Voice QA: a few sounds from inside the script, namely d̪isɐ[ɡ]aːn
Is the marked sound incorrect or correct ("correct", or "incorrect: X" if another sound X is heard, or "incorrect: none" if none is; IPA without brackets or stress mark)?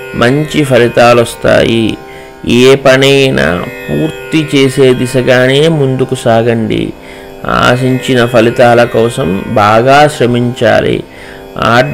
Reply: correct